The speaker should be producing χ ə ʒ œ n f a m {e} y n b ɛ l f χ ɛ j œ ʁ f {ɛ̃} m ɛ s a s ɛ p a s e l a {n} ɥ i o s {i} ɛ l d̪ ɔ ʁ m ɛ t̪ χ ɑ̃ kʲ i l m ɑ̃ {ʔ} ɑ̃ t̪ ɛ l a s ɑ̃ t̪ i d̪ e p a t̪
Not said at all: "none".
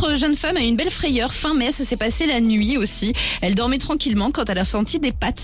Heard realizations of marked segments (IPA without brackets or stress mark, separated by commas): a, ɛ̃, n, i, k